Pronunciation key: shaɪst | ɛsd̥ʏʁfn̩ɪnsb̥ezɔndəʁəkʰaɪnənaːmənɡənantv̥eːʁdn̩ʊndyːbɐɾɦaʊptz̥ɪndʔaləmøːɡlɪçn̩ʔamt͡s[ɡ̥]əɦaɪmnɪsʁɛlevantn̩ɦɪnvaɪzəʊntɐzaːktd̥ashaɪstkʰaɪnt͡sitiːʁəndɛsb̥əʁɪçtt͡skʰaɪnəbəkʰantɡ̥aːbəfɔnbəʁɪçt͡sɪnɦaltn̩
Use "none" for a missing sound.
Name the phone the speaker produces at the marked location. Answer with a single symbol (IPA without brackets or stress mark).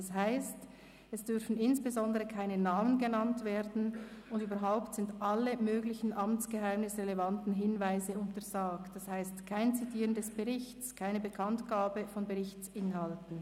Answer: ɡ̥